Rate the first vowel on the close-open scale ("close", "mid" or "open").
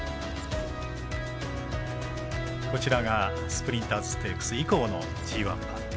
mid